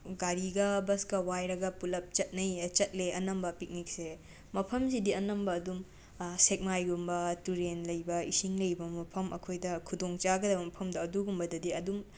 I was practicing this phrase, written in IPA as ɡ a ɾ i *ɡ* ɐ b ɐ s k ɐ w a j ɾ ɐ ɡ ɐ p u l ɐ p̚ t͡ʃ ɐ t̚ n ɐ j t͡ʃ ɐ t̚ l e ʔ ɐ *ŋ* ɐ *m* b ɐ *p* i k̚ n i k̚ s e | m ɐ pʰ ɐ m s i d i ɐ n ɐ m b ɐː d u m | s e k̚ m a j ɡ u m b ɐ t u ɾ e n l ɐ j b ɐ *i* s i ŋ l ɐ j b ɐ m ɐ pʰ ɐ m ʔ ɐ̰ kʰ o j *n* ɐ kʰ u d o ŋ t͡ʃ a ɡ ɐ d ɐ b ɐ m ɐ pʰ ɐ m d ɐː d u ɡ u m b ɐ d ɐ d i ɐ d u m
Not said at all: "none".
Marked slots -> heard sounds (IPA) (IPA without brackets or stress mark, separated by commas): ɡ, n, m, p, i, d